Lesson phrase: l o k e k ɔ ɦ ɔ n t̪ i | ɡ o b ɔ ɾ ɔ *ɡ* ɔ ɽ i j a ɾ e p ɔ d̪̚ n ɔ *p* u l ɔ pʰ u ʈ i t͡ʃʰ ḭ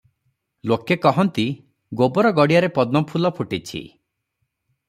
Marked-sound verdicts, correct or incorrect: correct, incorrect: pʰ

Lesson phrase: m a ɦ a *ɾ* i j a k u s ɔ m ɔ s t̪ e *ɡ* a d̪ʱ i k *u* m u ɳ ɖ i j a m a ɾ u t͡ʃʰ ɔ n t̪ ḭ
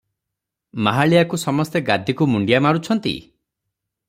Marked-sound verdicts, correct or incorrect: incorrect: ɭ, correct, correct

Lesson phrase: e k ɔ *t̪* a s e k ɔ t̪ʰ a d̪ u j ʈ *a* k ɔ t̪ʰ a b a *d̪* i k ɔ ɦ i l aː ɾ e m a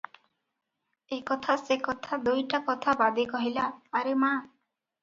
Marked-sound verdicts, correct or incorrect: incorrect: t̪ʰ, correct, correct

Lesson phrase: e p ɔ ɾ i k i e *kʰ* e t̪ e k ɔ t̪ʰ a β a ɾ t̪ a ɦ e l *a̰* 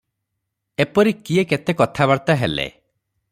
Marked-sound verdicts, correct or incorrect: incorrect: k, incorrect: ḛ

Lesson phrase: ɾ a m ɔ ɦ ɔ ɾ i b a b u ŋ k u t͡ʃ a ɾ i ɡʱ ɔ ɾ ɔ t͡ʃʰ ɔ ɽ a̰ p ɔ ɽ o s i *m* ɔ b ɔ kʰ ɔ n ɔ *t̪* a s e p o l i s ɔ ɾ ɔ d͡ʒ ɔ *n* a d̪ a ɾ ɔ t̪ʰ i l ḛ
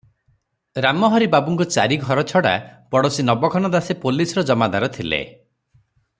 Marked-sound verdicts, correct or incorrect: incorrect: n, incorrect: d̪, incorrect: m

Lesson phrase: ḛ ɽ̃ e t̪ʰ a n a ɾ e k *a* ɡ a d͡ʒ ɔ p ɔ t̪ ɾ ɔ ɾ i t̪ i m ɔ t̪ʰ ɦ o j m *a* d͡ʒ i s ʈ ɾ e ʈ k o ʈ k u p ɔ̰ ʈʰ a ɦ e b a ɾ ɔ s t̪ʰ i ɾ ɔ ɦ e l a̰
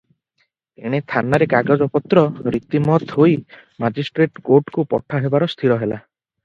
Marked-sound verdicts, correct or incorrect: correct, correct

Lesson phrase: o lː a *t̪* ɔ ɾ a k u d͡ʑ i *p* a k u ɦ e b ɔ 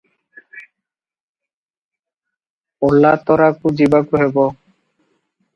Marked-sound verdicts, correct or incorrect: correct, incorrect: b

